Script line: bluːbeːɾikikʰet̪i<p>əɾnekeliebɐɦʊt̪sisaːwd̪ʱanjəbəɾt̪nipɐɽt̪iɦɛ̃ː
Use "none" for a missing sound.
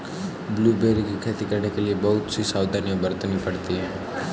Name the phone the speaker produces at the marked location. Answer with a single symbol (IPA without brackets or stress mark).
k